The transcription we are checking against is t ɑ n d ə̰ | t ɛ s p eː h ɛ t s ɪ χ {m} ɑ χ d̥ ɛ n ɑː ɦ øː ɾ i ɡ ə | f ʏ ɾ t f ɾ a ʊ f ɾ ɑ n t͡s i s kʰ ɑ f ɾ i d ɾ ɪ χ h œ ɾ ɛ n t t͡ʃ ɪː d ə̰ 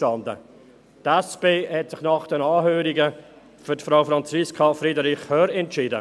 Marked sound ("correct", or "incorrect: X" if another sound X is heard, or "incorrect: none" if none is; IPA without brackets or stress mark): incorrect: n